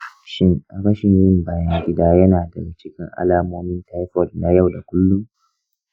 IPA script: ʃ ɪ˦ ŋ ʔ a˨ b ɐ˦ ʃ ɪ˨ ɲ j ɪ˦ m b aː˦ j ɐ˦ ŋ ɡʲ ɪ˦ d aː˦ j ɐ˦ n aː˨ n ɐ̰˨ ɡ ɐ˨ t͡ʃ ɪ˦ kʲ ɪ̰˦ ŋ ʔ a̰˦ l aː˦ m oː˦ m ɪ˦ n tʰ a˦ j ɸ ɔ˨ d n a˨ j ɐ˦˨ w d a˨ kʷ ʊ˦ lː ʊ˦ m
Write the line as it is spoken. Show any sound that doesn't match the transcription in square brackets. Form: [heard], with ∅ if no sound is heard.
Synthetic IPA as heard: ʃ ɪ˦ ŋ ʔ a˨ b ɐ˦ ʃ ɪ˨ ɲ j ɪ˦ m b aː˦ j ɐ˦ ŋ ɡʲ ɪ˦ d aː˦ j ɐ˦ n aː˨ [d] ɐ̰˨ ɡ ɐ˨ t͡ʃ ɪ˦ kʲ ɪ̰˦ ŋ ʔ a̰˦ l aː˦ m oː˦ m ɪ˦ n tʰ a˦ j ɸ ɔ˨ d n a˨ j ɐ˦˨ w d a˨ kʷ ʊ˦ lː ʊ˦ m